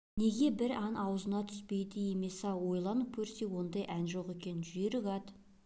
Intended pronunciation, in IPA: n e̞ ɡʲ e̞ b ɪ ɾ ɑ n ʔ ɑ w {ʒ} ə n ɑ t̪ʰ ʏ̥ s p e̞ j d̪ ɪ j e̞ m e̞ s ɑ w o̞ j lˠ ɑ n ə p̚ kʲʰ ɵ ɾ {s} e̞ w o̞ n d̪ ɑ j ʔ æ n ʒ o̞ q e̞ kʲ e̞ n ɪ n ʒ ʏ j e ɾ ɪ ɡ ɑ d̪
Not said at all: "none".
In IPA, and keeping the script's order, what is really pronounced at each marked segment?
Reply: z, s

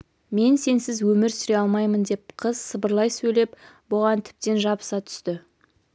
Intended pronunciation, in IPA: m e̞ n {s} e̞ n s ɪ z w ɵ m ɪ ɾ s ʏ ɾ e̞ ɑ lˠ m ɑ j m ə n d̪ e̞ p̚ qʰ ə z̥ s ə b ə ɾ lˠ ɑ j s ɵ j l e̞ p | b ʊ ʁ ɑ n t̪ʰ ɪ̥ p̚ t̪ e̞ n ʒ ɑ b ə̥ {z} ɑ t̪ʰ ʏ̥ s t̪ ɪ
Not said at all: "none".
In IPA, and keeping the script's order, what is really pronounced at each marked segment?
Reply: s, s

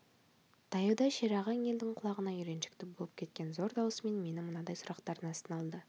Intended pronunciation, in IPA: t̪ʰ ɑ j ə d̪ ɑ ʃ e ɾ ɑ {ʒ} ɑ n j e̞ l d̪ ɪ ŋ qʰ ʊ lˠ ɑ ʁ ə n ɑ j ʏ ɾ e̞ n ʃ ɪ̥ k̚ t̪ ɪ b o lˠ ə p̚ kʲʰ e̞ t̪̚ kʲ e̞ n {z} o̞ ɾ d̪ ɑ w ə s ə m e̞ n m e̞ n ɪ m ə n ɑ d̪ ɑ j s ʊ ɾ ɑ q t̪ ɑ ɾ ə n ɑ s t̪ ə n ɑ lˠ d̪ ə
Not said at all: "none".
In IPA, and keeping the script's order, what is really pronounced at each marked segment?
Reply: ʁ, z

